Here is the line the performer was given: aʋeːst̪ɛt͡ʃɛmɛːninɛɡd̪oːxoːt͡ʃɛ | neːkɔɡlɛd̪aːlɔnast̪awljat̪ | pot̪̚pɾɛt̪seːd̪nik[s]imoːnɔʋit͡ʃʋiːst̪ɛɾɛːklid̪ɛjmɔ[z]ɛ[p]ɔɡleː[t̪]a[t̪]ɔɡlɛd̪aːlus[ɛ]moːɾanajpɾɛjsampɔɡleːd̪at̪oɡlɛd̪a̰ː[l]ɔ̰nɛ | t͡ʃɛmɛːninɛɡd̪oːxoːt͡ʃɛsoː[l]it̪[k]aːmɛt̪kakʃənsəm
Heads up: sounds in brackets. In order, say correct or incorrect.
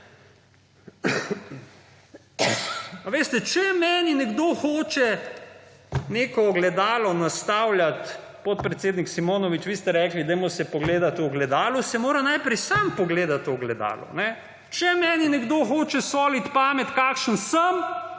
correct, incorrect: s, correct, incorrect: d̪, correct, correct, correct, correct, incorrect: p

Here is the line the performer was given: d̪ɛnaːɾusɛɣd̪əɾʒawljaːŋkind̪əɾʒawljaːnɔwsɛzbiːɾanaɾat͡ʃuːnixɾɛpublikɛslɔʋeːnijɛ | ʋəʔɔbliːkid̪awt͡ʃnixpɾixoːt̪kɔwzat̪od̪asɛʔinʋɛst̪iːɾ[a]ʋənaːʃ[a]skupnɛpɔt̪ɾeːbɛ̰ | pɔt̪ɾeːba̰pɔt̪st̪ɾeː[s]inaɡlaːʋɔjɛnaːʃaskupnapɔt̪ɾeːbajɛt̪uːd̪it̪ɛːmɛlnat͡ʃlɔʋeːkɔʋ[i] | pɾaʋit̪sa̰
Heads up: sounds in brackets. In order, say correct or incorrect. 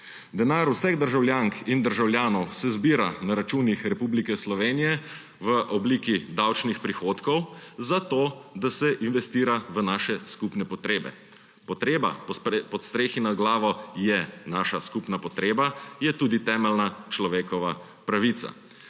correct, incorrect: ɛ, incorrect: x, incorrect: a

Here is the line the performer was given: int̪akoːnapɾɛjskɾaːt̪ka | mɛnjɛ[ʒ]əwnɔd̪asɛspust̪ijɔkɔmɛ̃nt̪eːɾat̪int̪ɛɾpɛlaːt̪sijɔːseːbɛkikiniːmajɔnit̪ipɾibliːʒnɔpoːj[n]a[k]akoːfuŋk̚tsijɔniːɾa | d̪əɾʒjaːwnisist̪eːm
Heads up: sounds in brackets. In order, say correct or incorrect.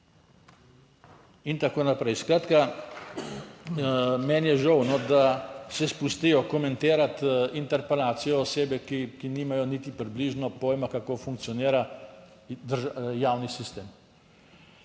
correct, incorrect: m, correct

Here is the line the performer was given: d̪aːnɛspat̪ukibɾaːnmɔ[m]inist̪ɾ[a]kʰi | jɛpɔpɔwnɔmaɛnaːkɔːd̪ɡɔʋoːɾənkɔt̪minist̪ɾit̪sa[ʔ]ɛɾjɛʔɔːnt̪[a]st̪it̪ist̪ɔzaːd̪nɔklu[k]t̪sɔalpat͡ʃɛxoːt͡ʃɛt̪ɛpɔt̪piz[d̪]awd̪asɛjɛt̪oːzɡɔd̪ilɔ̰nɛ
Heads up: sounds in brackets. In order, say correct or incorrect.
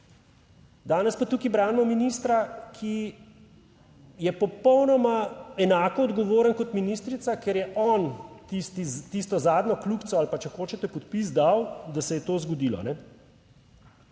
correct, correct, incorrect: k, incorrect: i, correct, correct

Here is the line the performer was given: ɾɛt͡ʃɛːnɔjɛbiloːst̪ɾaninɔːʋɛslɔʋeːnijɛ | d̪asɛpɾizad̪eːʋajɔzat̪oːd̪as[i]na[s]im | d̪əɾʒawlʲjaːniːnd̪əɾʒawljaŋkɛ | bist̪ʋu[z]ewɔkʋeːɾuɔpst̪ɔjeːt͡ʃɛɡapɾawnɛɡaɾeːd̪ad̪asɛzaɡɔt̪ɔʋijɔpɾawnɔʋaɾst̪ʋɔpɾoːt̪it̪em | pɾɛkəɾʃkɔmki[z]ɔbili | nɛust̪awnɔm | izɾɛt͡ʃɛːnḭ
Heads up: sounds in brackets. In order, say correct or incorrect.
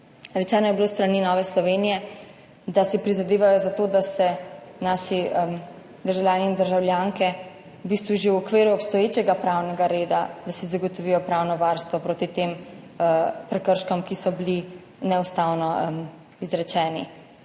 incorrect: ɛ, incorrect: ʃ, incorrect: ʒ, incorrect: s

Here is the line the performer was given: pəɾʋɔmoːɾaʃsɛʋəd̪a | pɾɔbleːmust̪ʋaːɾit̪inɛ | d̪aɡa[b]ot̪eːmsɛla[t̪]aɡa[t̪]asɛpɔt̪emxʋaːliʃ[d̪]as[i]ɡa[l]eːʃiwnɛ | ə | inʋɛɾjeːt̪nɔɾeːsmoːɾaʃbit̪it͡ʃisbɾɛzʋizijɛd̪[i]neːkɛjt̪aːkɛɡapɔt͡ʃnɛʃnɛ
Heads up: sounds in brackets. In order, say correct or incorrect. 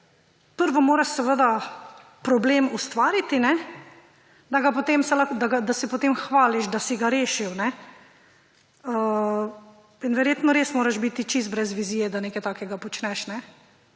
incorrect: p, incorrect: d̪, incorrect: d̪, correct, correct, incorrect: ɾ, incorrect: a

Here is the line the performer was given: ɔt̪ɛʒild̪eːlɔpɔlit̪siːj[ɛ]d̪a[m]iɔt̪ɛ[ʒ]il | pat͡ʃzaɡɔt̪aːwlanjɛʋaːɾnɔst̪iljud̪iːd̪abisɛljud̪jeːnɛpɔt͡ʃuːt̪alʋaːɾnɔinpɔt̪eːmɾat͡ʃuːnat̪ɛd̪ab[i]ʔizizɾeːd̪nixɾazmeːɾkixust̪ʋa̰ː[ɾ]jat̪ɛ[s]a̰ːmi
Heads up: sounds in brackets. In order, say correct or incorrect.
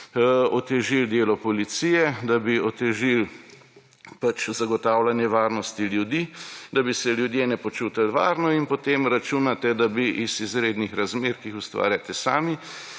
correct, incorrect: b, correct, correct, correct, correct

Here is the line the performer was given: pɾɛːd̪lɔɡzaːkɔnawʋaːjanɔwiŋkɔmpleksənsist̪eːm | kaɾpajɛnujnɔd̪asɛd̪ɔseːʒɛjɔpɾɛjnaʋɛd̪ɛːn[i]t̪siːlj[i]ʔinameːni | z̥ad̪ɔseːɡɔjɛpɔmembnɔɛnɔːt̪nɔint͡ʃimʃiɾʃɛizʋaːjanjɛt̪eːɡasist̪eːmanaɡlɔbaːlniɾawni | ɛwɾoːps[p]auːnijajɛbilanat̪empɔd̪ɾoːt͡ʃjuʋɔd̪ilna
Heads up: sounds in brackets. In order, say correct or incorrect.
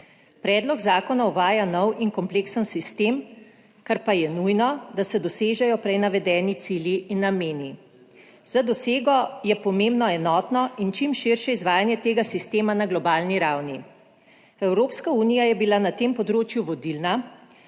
correct, correct, incorrect: k

